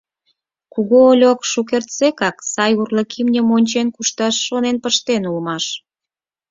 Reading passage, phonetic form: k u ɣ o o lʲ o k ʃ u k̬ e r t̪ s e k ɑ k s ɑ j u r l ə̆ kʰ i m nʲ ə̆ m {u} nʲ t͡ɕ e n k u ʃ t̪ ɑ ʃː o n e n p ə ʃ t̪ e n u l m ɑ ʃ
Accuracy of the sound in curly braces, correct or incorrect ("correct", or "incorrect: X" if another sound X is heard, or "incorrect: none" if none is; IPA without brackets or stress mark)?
incorrect: o